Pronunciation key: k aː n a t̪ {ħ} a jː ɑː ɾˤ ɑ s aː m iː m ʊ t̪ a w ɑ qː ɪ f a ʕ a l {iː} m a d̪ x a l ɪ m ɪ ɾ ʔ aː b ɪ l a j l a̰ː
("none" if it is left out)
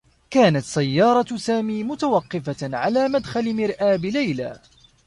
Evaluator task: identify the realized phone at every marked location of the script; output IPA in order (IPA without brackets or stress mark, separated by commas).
s, aː